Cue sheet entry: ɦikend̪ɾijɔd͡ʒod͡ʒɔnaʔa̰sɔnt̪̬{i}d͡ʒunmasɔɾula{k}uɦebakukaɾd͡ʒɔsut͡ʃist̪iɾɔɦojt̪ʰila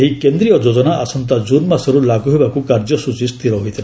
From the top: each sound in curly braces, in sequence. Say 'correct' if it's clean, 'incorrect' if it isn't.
incorrect, incorrect

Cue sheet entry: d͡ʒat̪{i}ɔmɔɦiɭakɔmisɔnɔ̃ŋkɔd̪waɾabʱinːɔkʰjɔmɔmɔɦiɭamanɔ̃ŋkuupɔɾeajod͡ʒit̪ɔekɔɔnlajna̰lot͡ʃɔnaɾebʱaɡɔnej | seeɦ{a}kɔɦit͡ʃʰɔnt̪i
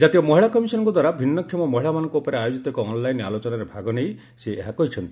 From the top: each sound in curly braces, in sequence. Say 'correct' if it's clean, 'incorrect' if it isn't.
correct, correct

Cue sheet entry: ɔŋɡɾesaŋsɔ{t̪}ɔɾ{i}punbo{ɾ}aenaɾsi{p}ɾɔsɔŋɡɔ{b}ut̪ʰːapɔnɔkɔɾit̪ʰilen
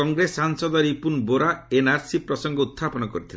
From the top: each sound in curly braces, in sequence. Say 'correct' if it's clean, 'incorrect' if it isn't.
incorrect, correct, correct, correct, incorrect

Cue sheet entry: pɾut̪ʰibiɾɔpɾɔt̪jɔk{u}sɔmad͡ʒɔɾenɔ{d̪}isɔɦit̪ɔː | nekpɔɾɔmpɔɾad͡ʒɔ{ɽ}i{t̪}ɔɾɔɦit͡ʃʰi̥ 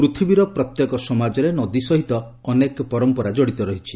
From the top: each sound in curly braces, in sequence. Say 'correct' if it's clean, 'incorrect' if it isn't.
incorrect, correct, correct, correct

